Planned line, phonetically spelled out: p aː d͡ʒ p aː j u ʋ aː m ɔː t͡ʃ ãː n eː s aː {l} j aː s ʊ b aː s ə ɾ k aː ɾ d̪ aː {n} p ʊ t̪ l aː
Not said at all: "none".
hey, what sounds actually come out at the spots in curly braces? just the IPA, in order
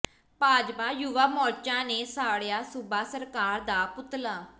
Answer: ɽ, none

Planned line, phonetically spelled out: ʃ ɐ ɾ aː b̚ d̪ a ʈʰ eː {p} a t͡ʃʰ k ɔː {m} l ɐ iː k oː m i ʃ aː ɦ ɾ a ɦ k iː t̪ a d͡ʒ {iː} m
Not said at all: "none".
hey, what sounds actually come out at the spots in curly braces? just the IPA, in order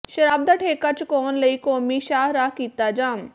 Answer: k, n, aː

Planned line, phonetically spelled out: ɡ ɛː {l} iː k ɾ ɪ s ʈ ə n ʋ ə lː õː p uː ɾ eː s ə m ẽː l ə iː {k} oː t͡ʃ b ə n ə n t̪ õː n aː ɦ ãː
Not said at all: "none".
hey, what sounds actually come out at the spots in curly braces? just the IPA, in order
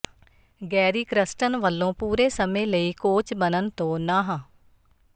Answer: ɾ, k

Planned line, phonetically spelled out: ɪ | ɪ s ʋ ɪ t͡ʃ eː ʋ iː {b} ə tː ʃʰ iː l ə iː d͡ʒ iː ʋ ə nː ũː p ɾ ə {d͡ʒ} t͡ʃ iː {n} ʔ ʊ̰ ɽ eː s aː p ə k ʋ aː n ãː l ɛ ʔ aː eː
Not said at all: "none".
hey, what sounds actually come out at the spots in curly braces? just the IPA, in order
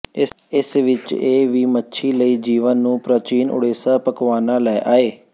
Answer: m, none, n

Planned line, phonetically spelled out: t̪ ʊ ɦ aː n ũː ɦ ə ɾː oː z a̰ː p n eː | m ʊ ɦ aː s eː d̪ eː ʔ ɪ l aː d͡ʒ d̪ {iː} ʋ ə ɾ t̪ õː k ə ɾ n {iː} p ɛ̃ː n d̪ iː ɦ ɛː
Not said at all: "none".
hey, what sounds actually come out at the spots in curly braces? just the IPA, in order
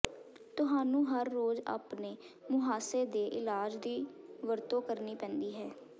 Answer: iː, iː

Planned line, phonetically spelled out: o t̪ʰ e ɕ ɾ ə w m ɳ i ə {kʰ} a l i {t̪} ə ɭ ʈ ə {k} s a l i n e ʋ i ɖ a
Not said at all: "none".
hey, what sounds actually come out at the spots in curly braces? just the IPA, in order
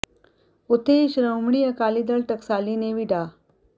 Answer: k, d̪, k

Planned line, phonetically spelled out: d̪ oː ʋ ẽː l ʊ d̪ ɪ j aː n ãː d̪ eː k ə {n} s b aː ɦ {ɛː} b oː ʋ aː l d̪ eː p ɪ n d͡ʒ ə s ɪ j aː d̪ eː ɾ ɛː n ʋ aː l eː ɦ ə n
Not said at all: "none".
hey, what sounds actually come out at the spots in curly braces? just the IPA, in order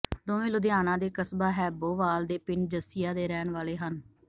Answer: none, ɛː

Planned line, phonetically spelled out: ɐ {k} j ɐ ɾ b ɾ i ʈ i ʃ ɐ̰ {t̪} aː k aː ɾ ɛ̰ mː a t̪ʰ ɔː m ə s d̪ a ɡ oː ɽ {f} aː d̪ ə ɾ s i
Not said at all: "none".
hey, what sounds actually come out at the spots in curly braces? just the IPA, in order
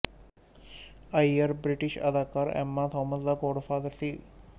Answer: none, d̪, f

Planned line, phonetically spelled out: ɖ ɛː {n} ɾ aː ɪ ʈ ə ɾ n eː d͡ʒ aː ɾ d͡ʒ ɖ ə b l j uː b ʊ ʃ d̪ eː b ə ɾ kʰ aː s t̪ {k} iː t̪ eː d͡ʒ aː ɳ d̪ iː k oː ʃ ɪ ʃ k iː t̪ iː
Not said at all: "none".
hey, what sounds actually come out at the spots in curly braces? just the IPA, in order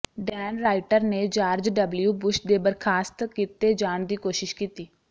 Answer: n, k

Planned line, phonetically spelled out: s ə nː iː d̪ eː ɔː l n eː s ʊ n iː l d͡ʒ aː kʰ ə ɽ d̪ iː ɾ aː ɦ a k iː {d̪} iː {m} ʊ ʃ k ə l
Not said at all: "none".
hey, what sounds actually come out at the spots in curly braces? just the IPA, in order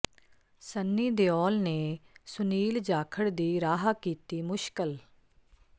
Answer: t̪, m

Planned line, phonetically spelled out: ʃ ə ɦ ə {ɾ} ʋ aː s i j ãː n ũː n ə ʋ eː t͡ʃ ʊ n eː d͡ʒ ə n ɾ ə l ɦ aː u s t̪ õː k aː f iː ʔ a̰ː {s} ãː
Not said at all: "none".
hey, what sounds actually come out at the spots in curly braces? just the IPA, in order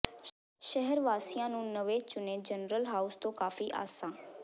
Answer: ɾ, s

